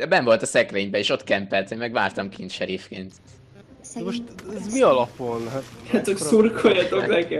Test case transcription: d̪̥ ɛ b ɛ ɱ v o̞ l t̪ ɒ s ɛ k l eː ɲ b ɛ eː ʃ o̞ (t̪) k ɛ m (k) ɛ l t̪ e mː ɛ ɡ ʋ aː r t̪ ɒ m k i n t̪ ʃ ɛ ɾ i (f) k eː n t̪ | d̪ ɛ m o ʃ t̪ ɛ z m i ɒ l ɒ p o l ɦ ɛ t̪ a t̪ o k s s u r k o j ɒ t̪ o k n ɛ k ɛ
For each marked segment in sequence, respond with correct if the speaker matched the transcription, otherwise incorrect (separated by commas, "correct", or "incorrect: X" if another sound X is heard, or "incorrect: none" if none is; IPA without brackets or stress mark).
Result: correct, incorrect: p, correct